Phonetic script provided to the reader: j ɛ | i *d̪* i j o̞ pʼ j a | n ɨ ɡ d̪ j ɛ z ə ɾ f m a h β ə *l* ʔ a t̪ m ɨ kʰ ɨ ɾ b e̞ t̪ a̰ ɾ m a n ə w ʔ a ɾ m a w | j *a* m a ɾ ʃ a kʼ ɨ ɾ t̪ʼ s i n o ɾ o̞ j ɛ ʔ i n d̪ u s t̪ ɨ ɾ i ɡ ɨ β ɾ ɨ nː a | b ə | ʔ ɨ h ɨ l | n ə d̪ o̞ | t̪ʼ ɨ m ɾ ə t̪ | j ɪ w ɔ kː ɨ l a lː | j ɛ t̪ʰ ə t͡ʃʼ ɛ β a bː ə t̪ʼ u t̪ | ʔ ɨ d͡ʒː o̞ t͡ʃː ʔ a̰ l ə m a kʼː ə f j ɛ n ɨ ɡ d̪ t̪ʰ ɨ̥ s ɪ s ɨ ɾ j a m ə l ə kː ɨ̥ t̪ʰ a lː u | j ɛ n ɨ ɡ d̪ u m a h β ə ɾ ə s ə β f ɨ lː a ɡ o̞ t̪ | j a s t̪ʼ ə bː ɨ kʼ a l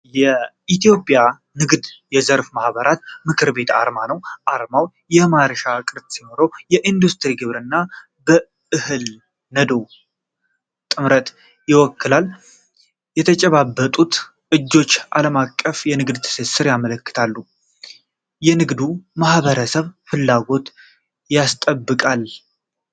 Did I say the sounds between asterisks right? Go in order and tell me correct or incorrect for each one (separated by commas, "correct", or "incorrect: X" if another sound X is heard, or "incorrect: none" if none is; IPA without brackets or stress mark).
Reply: incorrect: t̪, incorrect: ɾ, incorrect: ɛ